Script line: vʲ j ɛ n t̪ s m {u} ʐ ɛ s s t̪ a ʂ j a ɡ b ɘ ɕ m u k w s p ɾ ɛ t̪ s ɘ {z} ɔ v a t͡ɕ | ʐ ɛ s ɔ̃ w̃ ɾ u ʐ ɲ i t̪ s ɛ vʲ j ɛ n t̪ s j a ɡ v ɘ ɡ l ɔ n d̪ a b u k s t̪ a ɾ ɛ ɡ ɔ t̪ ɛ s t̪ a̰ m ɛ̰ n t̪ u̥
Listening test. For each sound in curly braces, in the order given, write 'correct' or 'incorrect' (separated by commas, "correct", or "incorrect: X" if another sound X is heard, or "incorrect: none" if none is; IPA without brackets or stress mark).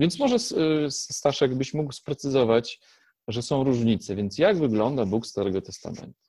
incorrect: ɔ, correct